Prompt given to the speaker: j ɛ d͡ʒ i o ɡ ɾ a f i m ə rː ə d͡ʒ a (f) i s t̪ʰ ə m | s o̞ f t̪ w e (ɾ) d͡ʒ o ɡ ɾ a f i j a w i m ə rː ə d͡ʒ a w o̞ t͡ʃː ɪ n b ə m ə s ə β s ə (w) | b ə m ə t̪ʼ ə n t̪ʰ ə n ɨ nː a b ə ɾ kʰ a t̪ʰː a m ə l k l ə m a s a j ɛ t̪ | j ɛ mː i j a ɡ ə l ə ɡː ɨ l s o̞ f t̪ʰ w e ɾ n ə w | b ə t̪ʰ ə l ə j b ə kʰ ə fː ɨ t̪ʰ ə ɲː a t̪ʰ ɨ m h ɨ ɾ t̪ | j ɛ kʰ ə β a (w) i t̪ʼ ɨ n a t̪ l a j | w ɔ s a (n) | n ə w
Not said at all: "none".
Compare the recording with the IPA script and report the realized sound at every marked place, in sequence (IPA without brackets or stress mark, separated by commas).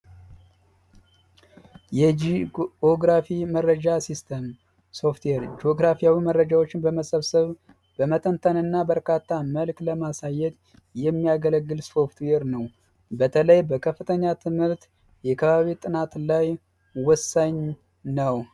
s, ɾ, β, β, ɲ